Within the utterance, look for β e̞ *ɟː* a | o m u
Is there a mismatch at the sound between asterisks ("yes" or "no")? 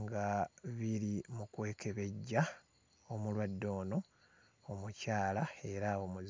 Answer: no